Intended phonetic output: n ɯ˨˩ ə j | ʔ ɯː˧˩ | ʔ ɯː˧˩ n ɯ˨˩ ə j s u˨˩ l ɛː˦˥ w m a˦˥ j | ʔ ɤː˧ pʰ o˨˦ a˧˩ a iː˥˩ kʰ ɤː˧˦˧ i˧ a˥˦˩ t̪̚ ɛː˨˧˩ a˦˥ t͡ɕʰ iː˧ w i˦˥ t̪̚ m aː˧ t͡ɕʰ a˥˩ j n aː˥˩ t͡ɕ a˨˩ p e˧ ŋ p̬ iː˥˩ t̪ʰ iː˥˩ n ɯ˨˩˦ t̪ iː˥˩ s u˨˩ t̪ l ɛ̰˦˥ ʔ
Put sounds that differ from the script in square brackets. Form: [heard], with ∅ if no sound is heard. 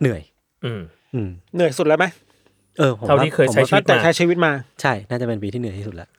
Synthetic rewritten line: n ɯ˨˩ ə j | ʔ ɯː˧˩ | ʔ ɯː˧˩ n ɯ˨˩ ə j s u˨˩ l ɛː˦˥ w m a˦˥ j | ʔ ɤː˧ pʰ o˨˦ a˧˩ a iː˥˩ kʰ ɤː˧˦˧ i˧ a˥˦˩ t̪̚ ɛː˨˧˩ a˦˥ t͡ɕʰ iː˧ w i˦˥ t̪̚ m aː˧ t͡ɕʰ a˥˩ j n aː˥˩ t͡ɕ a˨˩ p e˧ [n] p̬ [iː˧] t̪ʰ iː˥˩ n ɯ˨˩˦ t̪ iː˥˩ s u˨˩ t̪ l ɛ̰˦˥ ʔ